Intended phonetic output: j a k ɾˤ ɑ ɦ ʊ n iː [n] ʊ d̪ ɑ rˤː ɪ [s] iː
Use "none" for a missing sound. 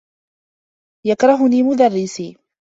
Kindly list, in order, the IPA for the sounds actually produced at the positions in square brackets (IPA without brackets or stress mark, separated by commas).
m, s